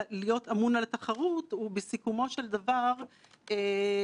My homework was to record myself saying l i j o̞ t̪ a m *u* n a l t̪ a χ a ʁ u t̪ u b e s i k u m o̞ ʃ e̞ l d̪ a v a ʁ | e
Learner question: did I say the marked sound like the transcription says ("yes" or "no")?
yes